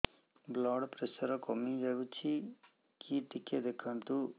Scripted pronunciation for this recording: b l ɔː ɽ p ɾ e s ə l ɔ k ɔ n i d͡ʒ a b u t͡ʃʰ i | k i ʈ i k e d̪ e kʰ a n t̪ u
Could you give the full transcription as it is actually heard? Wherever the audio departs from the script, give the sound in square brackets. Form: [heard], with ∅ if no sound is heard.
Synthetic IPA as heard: b l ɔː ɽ p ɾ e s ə [ɾ] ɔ k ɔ [m] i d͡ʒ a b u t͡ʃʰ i | k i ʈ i k e d̪ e kʰ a n t̪ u

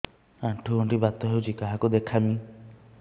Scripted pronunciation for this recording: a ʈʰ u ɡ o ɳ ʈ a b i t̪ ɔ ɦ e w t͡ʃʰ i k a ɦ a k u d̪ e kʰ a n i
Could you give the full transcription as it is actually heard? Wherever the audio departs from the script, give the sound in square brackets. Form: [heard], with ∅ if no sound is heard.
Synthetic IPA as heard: a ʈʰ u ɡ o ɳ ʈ [i] b [a] t̪ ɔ ɦ e w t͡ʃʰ i k a ɦ a k u d̪ e kʰ a [m] i

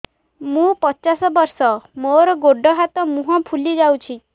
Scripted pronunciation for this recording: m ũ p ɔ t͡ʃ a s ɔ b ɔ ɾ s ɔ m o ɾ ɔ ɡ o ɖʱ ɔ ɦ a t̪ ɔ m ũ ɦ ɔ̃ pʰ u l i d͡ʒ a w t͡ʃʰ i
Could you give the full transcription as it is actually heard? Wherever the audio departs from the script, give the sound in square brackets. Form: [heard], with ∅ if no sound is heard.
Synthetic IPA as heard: m ũ p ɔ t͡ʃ a s ɔ b ɔ ɾ s ɔ m o ɾ ɔ ɡ o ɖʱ ɔ ɦ a t̪ ɔ m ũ ɦ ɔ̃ pʰ u l i d͡ʒ a w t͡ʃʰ i

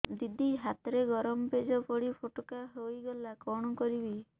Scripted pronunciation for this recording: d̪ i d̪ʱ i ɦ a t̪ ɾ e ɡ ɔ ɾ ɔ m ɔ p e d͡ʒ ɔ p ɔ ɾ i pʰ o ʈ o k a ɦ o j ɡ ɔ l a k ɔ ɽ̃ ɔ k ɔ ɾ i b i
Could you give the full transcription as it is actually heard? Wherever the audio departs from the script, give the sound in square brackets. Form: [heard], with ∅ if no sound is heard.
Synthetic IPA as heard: d̪ i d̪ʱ i ɦ a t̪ ɾ e ɡ ɔ ɾ ɔ m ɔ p e d͡ʒ ɔ p ɔ [ɽ] i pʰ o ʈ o k a ɦ o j ɡ ɔ l a k ɔ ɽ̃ ɔ k ɔ ɾ i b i

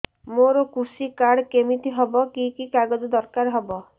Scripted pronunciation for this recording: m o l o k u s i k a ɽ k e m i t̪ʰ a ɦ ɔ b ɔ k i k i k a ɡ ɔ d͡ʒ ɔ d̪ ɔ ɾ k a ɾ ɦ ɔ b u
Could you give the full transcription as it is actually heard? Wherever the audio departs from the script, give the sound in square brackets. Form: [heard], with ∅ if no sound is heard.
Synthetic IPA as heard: m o [ɾ] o k u s i k a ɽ k e m i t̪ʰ [i] ɦ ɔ b ɔ k i k i k a ɡ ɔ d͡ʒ ɔ d̪ ɔ ɾ k a ɾ ɦ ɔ b [ɔ]

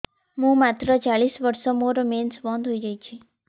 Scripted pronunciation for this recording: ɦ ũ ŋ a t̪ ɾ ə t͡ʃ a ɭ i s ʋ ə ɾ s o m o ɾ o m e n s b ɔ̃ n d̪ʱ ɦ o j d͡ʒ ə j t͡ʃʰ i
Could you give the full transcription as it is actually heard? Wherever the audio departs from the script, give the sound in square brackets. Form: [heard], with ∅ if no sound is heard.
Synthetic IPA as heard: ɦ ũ [m] a t̪ ɾ ə t͡ʃ a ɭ i s ʋ ə ɾ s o m o ɾ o m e n s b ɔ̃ n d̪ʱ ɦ o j d͡ʒ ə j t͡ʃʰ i

